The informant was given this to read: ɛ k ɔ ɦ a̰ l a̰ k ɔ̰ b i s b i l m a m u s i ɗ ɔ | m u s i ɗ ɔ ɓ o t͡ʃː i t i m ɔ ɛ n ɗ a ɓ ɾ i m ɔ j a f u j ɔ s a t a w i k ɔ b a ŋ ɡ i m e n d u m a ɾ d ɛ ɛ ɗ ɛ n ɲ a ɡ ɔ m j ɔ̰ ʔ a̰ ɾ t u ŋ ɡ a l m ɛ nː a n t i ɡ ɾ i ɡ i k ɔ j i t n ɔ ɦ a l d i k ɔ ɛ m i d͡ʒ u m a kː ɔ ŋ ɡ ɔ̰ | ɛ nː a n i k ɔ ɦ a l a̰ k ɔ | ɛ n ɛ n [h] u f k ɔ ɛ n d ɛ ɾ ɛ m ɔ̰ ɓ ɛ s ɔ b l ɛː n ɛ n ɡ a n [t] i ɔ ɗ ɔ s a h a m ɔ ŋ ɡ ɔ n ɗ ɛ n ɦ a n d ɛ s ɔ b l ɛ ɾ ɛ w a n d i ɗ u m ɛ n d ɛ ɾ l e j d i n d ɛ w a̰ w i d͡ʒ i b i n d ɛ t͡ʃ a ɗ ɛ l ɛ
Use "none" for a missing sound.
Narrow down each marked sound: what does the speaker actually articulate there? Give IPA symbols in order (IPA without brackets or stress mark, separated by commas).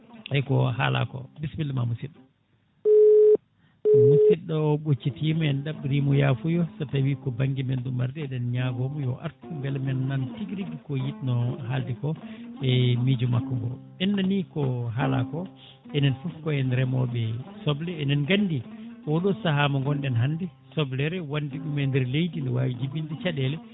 f, d